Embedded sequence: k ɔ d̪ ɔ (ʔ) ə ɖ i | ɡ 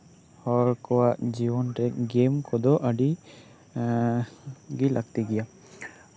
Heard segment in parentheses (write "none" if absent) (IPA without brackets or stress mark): ʔ